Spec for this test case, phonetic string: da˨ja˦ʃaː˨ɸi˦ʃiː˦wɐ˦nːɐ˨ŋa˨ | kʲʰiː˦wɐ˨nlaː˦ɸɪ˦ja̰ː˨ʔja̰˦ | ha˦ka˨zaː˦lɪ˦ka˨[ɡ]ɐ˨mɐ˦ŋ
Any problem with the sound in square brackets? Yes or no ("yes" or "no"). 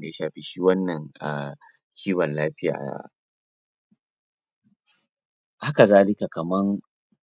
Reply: yes